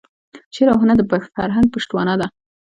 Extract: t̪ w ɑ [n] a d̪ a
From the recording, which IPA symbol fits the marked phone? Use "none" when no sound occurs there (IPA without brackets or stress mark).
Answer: n